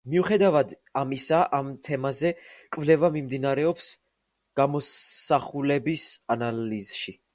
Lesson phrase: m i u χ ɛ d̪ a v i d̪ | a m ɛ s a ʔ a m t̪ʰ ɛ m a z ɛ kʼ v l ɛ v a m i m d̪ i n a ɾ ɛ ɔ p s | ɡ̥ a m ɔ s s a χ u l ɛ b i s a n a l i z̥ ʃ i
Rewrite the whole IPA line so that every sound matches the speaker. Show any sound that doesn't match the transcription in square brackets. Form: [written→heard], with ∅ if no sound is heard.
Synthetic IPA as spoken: m i u χ ɛ d̪ a v [i→a] d̪ | a m [ɛ→i] s a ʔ a m t̪ʰ ɛ m a z ɛ kʼ v l ɛ v a m i m d̪ i n a ɾ ɛ ɔ p s | ɡ̥ a m ɔ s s a χ u l ɛ b i s a n a l i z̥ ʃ i